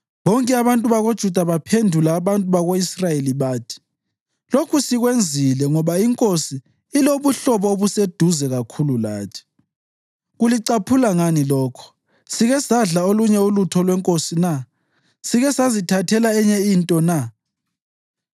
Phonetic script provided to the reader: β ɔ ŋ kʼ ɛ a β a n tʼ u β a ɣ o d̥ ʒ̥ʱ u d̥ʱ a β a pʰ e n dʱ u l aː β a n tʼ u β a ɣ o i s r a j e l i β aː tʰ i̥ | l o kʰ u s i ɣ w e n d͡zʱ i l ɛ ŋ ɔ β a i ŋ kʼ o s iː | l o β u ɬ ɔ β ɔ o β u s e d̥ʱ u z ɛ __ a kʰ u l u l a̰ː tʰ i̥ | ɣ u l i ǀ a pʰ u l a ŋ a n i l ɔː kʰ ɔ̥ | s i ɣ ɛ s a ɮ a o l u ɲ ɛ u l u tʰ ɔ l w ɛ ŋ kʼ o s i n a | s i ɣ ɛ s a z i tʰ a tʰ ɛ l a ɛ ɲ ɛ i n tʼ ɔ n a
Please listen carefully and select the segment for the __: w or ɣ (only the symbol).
ɣ